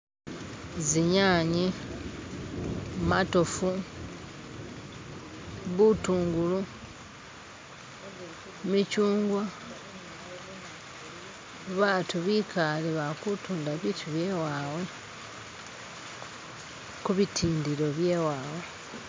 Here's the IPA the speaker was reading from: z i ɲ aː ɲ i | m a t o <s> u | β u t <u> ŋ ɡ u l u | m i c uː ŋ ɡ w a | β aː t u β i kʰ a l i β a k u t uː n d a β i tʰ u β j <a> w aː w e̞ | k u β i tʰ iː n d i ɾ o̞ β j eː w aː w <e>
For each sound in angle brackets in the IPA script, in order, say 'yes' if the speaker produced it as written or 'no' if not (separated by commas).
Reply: no, no, no, yes